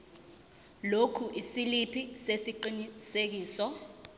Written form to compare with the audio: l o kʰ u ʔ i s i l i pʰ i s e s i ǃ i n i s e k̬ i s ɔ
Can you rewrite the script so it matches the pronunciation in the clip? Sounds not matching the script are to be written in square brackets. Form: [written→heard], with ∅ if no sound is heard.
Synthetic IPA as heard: l o kʰ u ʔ i s i l i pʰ i s e s i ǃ i n i s e k̬ [i→iː] s ɔ

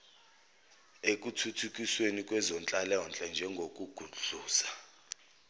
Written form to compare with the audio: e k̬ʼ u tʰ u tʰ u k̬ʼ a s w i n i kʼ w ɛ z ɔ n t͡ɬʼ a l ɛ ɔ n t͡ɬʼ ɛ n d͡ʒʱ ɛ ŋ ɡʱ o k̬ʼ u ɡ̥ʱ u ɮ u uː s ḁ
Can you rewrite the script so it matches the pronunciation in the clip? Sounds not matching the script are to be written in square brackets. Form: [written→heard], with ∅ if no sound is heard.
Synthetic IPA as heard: e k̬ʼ u tʰ u tʰ u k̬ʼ [a→i] s w [i→e] n i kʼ w ɛ z ɔ n t͡ɬʼ a l ɛ ɔ n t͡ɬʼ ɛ n d͡ʒʱ ɛ ŋ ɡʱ o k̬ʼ u ɡ̥ʱ u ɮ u uː s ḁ

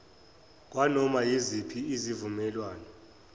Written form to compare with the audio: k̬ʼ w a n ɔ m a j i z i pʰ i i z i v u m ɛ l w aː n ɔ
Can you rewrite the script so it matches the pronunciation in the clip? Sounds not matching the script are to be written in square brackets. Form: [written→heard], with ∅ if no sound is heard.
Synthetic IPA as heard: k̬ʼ w a n ɔ m a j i z i pʰ i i z i v u m ɛ l w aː n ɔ

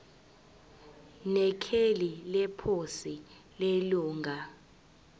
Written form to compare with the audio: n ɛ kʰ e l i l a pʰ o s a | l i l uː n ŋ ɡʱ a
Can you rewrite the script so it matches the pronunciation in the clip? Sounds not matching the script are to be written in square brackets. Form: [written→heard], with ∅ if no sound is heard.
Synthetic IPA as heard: n ɛ kʰ e l i l [a→ɛ] pʰ o s [a→i] | l [i→e] l uː [n→∅] ŋ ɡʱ a

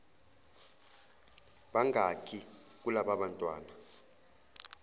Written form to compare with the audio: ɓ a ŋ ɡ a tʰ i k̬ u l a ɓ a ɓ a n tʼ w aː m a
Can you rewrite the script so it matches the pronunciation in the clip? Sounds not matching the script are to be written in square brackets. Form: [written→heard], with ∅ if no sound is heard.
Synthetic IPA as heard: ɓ a ŋ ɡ a [tʰ→kʰ] i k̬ u l a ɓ a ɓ a n tʼ w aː [m→n] a

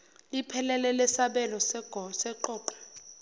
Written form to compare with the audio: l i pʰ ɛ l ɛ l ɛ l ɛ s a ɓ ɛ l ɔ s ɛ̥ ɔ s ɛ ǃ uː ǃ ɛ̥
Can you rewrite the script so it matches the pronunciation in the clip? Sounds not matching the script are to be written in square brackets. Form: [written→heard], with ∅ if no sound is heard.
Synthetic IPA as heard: l i pʰ ɛ l ɛ l ɛ l ɛ s a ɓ ɛ l ɔ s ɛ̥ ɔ s ɛ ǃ [uː→ɔː] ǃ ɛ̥

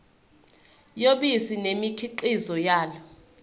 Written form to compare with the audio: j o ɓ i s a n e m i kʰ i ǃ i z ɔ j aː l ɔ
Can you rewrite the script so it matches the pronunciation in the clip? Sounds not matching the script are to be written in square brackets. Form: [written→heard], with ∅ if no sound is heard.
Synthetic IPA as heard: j o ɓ i s [a→i] n e m i kʰ i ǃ i z ɔ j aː l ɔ

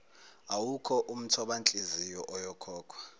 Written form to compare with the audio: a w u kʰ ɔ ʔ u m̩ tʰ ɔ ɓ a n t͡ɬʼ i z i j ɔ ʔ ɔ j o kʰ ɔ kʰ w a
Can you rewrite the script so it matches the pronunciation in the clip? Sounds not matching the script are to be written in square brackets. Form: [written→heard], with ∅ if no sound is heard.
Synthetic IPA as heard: a w u kʰ ɔ ʔ u m̩ tʰ ɔ ɓ a n t͡ɬʼ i z i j ɔ ʔ ɔ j [o→ɔ] kʰ [ɔ→ɔː] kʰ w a

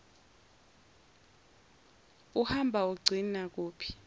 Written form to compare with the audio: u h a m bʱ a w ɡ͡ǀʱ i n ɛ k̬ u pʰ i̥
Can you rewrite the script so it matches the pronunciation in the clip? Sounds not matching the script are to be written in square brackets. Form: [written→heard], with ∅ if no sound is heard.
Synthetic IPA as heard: u h a m bʱ a [w→u] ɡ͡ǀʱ i n [ɛ→a] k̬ [u→uː] pʰ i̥

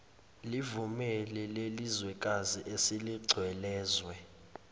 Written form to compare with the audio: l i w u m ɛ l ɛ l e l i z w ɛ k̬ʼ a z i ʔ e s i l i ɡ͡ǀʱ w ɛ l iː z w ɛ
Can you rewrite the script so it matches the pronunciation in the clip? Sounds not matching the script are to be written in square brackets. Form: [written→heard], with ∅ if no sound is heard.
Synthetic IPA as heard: l i [w→v] u m ɛ l ɛ l e l i z w ɛ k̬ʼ a z i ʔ e s i l i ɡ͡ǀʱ w ɛ l [iː→ɛː] z w ɛ

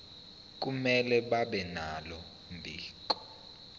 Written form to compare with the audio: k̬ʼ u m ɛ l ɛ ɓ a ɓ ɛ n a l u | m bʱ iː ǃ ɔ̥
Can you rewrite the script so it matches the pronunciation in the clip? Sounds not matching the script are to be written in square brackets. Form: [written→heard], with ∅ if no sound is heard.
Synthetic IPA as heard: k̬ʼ u m ɛ l ɛ ɓ a ɓ ɛ n a l [u→ɔ] | m bʱ iː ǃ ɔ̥

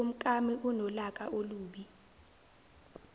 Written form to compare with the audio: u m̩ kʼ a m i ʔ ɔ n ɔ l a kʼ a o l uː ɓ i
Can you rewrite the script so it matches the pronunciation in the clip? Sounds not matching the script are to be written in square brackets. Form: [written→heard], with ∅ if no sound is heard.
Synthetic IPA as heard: u m̩ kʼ a m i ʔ [ɔ→u] n ɔ l a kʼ a o l uː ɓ i

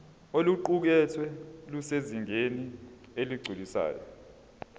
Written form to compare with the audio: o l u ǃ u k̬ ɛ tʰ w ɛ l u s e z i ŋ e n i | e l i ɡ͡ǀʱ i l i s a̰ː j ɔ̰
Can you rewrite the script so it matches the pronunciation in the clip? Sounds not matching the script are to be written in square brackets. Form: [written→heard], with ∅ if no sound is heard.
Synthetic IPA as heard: o l u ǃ u k̬ ɛ tʰ w ɛ l u s e z i ŋ e n i | e l i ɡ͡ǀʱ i l i s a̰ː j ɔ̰

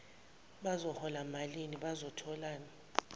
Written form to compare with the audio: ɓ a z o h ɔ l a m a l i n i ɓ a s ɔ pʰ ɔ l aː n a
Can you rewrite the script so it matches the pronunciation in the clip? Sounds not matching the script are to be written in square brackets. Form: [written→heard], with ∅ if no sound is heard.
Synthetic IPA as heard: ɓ a z [o→ɔ] h ɔ l a m a l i n i ɓ a [s→z] ɔ [pʰ→tʰ] ɔ l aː n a

